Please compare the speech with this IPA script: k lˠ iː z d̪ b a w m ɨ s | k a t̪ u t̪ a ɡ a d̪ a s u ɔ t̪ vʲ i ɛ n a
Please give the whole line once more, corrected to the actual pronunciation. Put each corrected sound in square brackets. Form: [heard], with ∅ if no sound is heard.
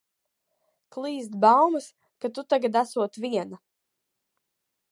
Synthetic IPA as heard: k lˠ iː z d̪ b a w m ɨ s | k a t̪ u t̪ a ɡ a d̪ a s u ɔ t̪ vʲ i ɛ n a